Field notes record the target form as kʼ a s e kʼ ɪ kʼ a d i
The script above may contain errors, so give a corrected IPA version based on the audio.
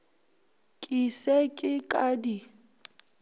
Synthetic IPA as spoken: kʼ i s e kʼ ɪ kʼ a d i